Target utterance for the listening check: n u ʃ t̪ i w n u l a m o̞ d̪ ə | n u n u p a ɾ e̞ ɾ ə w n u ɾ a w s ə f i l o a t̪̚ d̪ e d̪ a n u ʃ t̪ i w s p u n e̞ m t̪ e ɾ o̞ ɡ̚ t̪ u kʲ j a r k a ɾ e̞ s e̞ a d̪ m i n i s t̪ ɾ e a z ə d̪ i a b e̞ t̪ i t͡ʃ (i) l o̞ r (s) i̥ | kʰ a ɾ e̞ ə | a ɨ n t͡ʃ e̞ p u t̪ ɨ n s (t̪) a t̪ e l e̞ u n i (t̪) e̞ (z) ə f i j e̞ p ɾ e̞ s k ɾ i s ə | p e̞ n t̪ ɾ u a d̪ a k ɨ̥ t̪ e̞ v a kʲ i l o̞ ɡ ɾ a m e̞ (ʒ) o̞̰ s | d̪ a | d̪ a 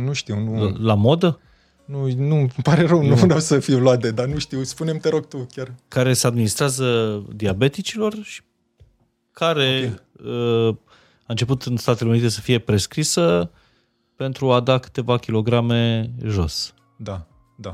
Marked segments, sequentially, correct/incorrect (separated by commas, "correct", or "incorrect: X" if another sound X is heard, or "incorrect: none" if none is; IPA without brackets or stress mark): correct, incorrect: ʃ, correct, correct, incorrect: s, correct